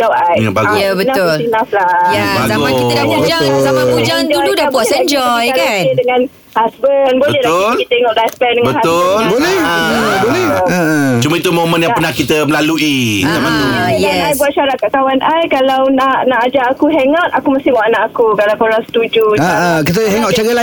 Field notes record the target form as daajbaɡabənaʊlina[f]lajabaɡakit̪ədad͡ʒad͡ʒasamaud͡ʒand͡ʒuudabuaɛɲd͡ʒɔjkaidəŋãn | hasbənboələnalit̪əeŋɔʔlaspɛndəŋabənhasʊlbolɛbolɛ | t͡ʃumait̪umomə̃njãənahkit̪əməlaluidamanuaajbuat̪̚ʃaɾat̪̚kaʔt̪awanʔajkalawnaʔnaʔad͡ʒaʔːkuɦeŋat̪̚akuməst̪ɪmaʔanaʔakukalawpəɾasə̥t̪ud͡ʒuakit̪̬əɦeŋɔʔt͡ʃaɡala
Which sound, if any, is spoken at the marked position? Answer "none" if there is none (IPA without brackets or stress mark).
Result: f